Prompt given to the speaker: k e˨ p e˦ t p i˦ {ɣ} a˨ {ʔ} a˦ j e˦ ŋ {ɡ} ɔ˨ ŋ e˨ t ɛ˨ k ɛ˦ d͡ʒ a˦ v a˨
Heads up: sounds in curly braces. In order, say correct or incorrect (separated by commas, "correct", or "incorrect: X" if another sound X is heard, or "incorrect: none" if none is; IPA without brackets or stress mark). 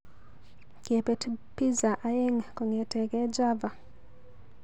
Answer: incorrect: z, correct, incorrect: k